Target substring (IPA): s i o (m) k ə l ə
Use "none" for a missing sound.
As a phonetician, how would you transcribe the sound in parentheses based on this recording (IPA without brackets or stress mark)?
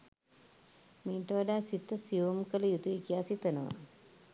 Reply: m